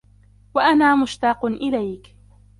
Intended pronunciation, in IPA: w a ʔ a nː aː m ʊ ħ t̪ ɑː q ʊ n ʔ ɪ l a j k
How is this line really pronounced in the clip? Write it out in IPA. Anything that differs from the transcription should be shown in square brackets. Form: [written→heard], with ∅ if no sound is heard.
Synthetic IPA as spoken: w a ʔ a [nː→n] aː m ʊ [ħ→ʃ] t̪ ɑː q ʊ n ʔ ɪ l a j k